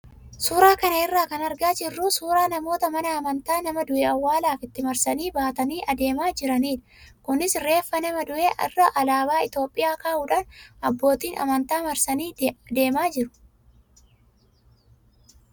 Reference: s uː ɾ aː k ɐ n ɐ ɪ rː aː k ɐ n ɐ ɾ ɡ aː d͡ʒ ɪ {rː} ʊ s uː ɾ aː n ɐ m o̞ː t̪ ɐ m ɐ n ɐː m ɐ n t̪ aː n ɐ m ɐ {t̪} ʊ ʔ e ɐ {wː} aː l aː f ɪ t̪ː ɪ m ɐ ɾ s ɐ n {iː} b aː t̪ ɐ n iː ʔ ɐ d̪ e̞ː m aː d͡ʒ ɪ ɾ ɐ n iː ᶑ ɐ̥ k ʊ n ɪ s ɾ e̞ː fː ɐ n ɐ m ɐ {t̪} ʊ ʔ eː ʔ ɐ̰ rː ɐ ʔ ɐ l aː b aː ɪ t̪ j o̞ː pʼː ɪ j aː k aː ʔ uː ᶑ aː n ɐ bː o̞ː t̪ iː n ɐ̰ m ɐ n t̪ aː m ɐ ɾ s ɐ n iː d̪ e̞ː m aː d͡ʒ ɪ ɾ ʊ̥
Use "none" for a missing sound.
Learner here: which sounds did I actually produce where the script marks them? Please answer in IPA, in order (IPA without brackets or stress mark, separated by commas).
rː, d̪, wː, iː, d̪